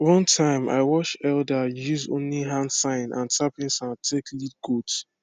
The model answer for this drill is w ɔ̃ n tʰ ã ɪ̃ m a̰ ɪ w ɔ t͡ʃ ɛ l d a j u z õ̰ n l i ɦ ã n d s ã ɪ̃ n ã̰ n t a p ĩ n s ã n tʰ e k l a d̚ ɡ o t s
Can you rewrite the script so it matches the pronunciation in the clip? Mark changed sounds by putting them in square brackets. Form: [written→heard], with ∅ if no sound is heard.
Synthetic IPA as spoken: w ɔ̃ n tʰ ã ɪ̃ m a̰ ɪ w ɔ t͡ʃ ɛ l d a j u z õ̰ n l i ɦ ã n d s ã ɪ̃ n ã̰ n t a p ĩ n s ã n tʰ e k l [a→i] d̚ ɡ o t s